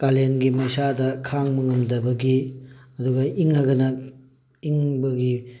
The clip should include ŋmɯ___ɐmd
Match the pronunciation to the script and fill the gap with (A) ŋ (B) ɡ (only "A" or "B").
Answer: A